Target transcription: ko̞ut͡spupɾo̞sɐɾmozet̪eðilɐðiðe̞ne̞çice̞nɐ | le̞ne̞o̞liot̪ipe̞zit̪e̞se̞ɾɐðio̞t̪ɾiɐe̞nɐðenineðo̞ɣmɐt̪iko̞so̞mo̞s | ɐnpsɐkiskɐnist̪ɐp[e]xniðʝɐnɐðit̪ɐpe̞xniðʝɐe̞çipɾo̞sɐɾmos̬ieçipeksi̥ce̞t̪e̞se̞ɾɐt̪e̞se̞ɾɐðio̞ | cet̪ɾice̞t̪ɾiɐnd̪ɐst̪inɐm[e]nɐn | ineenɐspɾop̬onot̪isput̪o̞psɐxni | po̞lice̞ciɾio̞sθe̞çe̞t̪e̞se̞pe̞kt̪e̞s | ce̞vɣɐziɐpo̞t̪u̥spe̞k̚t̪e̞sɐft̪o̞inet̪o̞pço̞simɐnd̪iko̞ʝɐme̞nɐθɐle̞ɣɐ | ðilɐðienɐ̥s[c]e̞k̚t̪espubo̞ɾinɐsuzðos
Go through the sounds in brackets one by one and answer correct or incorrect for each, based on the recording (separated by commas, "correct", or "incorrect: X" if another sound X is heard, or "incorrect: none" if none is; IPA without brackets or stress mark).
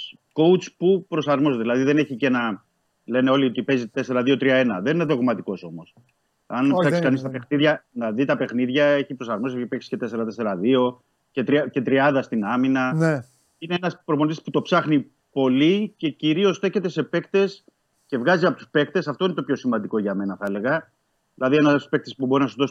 correct, incorrect: i, incorrect: p